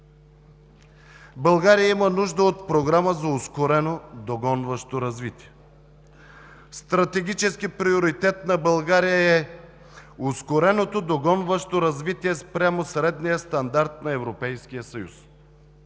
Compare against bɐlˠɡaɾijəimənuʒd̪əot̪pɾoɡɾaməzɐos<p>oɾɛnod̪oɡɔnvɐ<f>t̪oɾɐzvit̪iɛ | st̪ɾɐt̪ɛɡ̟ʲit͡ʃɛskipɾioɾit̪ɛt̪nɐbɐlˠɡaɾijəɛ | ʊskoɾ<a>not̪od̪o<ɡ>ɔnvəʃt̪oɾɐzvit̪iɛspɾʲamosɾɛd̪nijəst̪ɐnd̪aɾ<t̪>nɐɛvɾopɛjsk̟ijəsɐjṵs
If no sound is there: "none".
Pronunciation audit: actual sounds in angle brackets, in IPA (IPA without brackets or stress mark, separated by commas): k, ʃ, ɛ, ɡ, t̪